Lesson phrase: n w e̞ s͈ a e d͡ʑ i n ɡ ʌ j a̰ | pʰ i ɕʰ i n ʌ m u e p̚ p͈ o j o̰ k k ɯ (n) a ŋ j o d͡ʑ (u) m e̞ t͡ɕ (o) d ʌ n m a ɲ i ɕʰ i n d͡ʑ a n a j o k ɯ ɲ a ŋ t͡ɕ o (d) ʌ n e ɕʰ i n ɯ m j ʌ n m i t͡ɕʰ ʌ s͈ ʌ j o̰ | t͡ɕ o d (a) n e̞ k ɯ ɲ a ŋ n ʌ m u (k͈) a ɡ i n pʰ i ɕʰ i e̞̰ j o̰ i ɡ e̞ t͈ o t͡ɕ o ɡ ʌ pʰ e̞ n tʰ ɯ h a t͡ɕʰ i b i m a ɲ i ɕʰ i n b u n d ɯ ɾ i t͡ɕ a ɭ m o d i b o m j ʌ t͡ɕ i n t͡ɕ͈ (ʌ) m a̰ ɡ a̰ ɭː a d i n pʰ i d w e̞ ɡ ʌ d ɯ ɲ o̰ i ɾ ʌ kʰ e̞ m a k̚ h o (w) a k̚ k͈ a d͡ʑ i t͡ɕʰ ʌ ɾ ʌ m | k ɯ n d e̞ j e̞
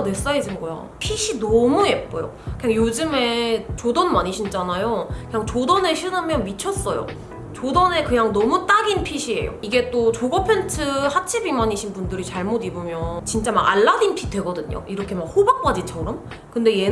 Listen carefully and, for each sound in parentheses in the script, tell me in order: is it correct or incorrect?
incorrect: ɲ, incorrect: ɯ, correct, correct, incorrect: ʌ, incorrect: t͈, incorrect: a, incorrect: b

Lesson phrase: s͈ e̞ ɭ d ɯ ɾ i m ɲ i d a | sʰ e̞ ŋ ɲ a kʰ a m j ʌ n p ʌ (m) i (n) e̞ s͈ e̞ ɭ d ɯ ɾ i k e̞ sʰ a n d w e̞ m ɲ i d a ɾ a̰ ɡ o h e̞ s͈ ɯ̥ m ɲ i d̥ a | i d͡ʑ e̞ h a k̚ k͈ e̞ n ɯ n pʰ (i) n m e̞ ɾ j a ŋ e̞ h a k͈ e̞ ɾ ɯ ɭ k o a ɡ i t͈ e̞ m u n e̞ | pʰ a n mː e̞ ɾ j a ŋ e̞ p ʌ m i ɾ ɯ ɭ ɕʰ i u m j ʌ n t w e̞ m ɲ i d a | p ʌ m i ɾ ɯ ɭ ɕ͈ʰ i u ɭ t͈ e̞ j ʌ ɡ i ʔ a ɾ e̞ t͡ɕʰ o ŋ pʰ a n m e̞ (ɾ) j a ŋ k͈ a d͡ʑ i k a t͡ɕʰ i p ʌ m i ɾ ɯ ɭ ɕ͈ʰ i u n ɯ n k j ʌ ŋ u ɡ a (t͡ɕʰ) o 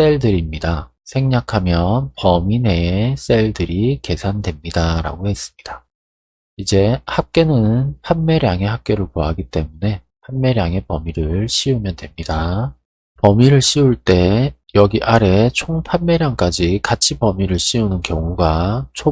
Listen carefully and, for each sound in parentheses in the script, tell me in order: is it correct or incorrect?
correct, correct, incorrect: a, correct, correct

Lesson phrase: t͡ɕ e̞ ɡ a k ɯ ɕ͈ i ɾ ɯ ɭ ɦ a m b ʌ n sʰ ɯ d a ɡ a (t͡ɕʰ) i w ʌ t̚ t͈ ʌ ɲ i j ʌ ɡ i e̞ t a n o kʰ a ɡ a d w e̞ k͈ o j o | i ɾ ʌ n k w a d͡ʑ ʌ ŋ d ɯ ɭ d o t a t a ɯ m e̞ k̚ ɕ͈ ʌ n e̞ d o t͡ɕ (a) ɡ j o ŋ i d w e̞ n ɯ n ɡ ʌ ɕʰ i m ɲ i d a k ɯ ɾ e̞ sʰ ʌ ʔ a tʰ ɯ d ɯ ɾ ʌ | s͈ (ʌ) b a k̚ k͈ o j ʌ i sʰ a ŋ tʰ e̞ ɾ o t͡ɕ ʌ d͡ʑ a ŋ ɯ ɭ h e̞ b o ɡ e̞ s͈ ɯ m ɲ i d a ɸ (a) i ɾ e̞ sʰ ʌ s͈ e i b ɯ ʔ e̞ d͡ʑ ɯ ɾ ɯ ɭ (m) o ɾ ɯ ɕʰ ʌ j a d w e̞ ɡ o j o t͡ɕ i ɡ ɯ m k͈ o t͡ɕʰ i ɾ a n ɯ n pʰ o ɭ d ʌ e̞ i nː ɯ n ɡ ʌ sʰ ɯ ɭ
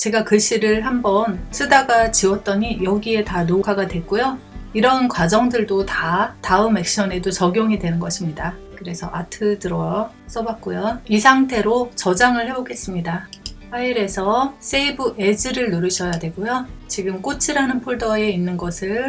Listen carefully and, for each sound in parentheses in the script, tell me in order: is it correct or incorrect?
incorrect: t͡ɕ, incorrect: ʌ, correct, correct, incorrect: n

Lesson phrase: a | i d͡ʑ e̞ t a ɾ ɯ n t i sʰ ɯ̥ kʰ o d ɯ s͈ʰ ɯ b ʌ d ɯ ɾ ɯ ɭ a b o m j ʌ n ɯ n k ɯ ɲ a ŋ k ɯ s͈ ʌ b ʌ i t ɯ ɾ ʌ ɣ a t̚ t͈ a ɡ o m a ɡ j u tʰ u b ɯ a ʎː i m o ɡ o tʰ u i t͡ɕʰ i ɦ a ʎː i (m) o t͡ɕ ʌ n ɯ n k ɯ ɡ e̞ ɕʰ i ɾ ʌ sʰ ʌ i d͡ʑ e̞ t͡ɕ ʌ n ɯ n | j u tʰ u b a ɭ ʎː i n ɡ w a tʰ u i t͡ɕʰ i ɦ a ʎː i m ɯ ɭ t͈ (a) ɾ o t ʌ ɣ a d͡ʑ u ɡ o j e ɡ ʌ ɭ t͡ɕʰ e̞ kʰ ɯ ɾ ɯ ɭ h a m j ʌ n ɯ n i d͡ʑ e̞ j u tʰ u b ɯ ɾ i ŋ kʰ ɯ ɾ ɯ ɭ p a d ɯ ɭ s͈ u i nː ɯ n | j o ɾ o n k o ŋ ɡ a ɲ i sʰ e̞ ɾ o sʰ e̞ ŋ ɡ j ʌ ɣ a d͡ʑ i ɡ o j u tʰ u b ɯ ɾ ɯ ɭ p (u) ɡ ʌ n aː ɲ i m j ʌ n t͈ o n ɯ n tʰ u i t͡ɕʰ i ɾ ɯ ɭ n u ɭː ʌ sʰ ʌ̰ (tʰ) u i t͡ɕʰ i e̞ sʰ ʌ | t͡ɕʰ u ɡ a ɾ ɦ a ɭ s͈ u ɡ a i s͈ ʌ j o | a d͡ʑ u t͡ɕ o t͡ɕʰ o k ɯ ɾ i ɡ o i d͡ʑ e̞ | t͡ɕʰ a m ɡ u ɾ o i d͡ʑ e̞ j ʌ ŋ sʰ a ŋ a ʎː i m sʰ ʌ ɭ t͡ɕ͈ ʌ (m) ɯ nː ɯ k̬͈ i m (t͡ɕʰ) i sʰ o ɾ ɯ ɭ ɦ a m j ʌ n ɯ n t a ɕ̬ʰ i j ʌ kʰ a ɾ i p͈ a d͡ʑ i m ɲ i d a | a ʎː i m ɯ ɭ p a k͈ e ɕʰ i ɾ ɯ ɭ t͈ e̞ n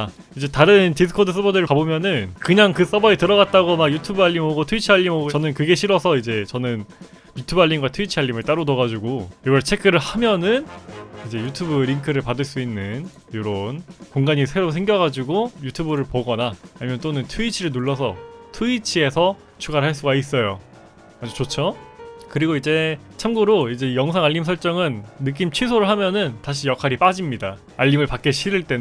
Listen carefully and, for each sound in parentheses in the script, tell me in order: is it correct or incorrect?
correct, correct, incorrect: o, correct, incorrect: ŋ, correct

